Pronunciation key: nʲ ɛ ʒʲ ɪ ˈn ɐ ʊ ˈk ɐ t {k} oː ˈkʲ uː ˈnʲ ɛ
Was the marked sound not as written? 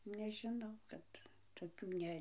yes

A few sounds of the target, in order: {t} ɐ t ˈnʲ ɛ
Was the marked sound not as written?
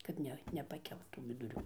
yes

